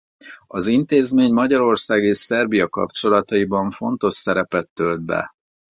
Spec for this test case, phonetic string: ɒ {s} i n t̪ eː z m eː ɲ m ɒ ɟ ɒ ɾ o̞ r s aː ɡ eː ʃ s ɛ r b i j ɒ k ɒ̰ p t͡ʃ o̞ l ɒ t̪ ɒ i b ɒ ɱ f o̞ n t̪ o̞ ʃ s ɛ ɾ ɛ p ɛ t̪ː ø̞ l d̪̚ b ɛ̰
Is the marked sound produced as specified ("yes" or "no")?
no